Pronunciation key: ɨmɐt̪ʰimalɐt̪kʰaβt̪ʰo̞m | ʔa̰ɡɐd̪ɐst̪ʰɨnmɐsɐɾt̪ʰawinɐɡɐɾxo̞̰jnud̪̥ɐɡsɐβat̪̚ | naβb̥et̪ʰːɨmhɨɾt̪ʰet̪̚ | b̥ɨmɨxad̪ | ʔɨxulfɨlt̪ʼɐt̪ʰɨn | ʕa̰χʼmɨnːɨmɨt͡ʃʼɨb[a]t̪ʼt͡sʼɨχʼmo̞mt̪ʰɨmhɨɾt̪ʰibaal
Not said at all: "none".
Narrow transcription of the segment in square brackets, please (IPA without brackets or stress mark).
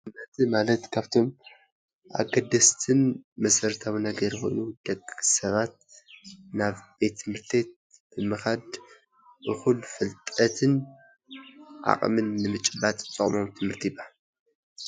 a